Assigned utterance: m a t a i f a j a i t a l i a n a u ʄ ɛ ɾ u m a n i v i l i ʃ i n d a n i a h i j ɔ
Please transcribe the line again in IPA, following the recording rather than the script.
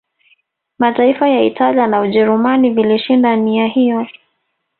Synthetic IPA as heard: m a t a i f a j a i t a l i a n a u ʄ ɛ ɾ u m a n i v i l i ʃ i n d a n i a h i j ɔ